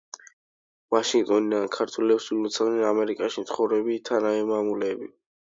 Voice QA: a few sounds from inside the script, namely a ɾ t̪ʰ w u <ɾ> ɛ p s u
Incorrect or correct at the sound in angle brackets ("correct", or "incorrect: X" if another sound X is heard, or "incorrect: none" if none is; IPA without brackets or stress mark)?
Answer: incorrect: l